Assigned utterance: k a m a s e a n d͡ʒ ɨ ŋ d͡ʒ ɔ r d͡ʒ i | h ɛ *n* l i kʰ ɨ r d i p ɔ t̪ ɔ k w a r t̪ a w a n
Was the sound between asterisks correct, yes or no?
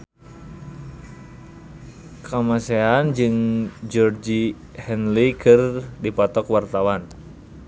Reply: yes